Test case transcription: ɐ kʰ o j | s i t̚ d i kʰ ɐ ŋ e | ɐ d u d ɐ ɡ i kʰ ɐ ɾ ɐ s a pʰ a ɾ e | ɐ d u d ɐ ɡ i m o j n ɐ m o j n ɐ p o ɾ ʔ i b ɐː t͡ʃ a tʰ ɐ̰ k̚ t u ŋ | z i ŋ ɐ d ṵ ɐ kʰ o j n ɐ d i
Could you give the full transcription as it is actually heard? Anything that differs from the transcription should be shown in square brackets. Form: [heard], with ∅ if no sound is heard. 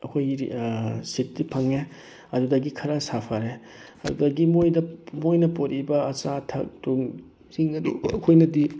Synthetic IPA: ɐ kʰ o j | s i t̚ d i [pʰ] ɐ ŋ e | ɐ d u d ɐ ɡ i kʰ ɐ ɾ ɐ s a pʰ a ɾ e | ɐ d u d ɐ ɡ i m o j [d] ɐ m o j n ɐ p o ɾ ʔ i b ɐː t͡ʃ a tʰ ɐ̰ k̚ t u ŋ | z i ŋ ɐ d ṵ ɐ kʰ o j n ɐ d i